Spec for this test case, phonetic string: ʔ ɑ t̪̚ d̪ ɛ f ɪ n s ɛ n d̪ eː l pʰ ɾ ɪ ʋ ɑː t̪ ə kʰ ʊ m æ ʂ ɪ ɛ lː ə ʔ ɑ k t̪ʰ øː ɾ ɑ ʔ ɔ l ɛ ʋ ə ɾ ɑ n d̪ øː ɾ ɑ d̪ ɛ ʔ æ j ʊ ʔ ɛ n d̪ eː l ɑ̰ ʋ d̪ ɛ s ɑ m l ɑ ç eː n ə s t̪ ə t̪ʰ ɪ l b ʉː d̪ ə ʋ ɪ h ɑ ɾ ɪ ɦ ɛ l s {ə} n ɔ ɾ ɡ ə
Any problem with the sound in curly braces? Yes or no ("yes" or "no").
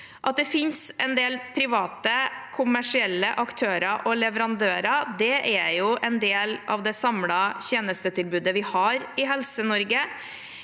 no